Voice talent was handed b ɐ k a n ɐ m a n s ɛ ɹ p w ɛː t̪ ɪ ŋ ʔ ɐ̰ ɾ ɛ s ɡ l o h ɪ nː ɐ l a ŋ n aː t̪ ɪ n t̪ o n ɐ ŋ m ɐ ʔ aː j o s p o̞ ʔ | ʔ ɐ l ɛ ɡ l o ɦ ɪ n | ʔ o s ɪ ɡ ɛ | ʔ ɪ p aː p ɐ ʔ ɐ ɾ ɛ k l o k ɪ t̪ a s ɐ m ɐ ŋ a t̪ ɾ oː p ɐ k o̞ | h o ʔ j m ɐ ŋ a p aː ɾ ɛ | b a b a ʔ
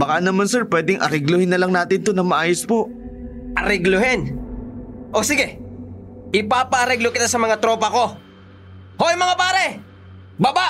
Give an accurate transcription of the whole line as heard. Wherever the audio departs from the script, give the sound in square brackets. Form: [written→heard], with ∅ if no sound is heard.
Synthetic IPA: b ɐ k a n ɐ m a n s ɛ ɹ p w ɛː [t̪→d̪] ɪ ŋ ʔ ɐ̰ ɾ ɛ [s→∅] ɡ l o h ɪ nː ɐ l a ŋ n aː t̪ ɪ n t̪ o n ɐ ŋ m ɐ ʔ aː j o s p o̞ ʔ | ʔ ɐ [l→ɾ] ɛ ɡ l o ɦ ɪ n | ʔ o s ɪ ɡ ɛ | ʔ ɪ p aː p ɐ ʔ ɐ ɾ ɛ [k→ɡ] l o k ɪ t̪ a s ɐ m ɐ ŋ a t̪ ɾ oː p ɐ k o̞ | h o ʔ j m ɐ ŋ a p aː ɾ ɛ | b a b a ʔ